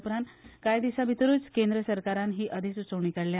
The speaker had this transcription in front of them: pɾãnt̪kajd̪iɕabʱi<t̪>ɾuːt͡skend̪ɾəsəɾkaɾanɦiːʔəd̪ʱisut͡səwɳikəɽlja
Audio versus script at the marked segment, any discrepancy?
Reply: no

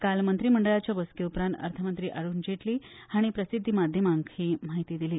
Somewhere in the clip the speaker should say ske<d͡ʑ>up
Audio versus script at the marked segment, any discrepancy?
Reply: yes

